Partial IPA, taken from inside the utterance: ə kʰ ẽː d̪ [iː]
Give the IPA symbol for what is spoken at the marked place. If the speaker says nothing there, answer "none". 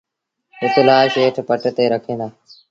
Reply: aː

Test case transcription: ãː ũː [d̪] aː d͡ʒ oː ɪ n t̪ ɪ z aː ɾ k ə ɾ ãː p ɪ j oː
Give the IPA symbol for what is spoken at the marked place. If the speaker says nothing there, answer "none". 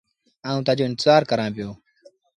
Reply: t̪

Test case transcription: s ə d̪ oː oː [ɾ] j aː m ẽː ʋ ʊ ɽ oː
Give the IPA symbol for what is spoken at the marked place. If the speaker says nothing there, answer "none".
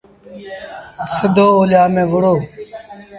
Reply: l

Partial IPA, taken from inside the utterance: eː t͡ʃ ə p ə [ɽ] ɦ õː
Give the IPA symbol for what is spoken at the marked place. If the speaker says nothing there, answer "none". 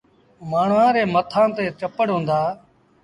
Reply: ɽ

